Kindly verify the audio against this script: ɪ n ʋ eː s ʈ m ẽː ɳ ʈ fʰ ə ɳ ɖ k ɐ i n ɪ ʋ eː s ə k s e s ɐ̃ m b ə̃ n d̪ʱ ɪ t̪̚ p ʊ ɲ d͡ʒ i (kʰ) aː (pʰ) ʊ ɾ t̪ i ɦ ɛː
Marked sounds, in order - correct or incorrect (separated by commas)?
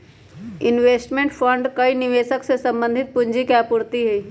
incorrect, incorrect